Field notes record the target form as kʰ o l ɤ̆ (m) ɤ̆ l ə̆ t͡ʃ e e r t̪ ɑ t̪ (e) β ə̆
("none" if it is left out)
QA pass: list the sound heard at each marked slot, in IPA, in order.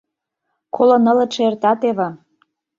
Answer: n, e

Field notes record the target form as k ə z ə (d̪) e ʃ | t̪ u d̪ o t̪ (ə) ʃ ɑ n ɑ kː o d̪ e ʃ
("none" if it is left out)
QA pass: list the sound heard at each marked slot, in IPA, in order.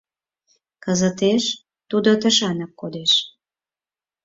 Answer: t̪, ə

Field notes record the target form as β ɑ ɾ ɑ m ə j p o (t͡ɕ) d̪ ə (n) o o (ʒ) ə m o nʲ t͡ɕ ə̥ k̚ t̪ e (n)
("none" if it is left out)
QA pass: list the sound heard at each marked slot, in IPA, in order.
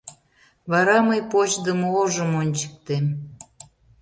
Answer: t͡ɕ, m, ʒ, m

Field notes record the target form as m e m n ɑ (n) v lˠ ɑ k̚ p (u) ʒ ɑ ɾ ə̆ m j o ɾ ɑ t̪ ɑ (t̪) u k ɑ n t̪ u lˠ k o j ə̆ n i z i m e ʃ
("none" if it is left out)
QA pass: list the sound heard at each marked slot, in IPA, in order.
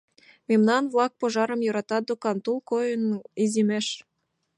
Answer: n, o, d̪

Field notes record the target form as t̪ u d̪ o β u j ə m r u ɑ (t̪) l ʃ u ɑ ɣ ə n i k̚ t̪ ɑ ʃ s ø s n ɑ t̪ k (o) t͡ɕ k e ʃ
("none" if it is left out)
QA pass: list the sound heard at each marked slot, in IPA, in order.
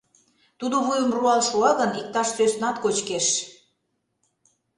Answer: none, o

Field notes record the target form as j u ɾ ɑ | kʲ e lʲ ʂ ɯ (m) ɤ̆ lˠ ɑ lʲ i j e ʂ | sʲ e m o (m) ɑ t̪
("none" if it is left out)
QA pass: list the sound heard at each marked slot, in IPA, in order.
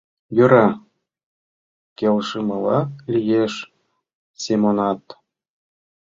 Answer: m, n

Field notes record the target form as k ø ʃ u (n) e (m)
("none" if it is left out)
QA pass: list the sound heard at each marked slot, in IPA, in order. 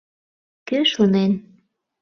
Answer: n, n

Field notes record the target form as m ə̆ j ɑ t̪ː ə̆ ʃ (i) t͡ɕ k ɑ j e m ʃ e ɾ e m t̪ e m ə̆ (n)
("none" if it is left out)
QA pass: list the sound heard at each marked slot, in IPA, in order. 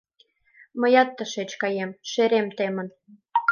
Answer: e, n

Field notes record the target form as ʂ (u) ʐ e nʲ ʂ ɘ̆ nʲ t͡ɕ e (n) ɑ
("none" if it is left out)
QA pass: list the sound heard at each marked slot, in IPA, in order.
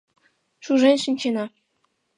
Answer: u, n

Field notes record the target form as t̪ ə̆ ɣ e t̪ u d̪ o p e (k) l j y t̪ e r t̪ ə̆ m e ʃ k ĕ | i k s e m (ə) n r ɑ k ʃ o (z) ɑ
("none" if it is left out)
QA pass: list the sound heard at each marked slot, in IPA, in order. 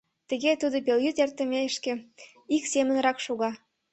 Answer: none, ə, ɣ

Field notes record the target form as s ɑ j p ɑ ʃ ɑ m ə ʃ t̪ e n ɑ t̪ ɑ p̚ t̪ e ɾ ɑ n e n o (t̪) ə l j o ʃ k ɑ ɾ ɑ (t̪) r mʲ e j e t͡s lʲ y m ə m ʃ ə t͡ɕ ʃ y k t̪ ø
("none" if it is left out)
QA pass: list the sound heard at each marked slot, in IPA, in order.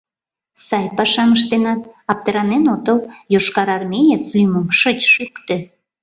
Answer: t̪, none

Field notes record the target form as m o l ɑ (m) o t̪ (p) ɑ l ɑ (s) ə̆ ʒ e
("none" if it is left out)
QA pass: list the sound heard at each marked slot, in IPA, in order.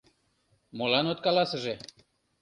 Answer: n, k, s

